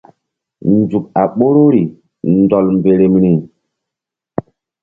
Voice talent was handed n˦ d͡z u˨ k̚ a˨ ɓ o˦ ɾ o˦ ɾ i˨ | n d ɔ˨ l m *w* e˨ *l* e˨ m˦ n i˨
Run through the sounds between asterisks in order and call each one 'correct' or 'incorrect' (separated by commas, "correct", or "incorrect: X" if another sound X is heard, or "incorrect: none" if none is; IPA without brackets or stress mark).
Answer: incorrect: b, incorrect: ɾ